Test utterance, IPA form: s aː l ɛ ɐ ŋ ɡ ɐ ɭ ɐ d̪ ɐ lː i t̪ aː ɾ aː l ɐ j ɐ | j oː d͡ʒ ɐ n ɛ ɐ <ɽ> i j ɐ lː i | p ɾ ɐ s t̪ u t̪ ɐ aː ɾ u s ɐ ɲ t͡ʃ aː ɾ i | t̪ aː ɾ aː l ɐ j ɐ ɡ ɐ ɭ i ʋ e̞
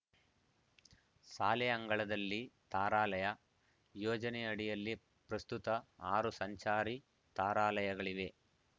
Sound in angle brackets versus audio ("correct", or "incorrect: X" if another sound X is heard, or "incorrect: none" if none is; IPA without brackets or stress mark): correct